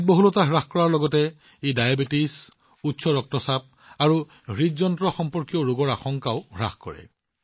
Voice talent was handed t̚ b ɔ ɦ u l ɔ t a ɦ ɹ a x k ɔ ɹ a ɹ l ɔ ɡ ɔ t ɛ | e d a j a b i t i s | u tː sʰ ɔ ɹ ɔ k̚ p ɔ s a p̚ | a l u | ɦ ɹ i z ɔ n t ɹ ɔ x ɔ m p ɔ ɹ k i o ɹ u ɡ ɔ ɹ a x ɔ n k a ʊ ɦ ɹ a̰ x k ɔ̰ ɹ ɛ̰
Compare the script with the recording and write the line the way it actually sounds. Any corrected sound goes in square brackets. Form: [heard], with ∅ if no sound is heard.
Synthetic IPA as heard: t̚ b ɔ ɦ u l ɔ t a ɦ ɹ a x k ɔ ɹ a ɹ l ɔ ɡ ɔ t ɛ | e d a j a b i t i s | u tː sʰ ɔ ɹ ɔ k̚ [t] ɔ s a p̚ | a [ɹ] u | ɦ ɹ i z ɔ n t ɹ ɔ x ɔ m p ɔ ɹ k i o ɹ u ɡ ɔ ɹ a x ɔ [ŋ] k a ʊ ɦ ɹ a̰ x k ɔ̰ ɹ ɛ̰